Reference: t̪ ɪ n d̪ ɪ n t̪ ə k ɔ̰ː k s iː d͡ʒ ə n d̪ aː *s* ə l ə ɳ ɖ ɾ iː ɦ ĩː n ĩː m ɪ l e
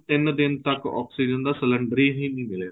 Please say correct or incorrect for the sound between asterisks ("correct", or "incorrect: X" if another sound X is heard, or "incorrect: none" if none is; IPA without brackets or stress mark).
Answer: correct